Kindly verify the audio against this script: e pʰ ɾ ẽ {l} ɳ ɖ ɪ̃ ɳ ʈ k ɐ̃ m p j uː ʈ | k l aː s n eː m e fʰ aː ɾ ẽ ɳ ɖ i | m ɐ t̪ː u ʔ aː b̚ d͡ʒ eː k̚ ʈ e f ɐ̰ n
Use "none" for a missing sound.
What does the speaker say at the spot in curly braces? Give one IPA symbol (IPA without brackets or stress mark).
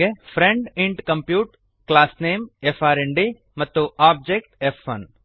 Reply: none